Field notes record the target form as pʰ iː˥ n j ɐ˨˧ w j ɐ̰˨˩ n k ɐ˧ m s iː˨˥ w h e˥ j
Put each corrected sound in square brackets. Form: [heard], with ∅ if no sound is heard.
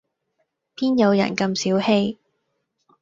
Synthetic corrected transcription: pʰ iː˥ n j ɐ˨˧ w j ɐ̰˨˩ n k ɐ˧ m s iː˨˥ w h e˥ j